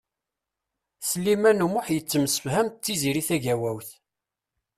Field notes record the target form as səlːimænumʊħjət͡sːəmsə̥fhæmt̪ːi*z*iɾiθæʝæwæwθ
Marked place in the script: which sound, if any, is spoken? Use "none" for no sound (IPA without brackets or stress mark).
z